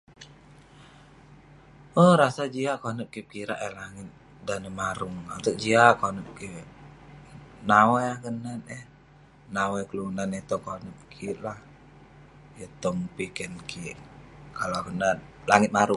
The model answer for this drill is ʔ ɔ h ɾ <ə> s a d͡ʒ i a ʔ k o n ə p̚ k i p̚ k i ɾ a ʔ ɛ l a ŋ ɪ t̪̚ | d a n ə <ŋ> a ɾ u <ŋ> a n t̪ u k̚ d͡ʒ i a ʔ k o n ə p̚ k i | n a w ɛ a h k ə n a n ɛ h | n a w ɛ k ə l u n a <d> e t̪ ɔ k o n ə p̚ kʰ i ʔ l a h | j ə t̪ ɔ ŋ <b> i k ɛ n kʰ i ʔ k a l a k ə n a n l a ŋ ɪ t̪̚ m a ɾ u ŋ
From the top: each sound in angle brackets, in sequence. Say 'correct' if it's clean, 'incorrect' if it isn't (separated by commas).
incorrect, incorrect, correct, incorrect, incorrect